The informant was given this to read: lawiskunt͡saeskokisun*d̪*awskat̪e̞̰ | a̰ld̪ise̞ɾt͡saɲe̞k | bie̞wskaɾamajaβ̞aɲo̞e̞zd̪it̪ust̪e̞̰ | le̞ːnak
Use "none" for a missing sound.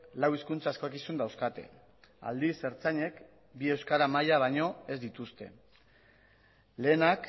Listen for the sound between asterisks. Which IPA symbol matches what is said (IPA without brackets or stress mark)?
d̪